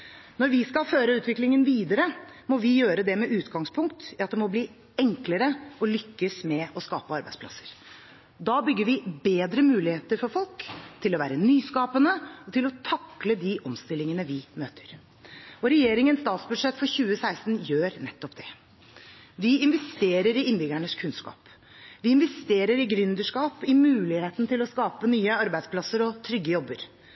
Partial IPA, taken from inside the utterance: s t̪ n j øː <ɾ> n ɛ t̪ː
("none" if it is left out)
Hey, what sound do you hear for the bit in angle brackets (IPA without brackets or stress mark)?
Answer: ɾ